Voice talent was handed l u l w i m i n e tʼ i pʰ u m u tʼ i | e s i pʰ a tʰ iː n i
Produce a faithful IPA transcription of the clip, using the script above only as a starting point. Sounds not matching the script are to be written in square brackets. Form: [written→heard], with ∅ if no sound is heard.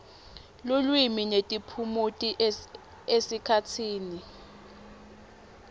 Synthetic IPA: l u l w i m i n e tʼ i pʰ u m u tʼ i | e s i [pʰ→kʰ] a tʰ iː n i